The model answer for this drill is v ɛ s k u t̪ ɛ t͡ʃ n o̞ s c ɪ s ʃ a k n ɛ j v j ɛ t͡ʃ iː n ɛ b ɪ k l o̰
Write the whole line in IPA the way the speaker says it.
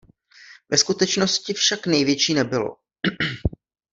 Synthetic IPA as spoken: v ɛ s k u t̪ ɛ t͡ʃ n o̞ s c ɪ f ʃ a k n ɛ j v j ɛ t͡ʃ iː n ɛ b ɪ l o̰